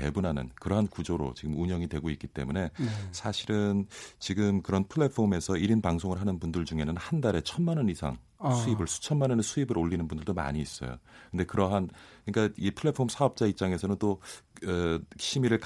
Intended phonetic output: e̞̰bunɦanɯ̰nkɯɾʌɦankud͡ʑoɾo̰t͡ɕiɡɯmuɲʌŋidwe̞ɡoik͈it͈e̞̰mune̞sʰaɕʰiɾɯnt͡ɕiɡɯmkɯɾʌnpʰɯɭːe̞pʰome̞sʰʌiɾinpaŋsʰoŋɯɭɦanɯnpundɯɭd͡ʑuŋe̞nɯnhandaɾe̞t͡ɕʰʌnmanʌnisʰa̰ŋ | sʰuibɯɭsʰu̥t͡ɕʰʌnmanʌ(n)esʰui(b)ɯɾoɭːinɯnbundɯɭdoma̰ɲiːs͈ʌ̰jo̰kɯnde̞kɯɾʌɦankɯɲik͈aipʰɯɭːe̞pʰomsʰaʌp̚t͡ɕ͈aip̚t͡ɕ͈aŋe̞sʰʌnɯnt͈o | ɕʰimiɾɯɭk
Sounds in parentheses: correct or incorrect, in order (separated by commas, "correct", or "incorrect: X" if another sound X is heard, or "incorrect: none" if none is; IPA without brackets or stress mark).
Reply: correct, correct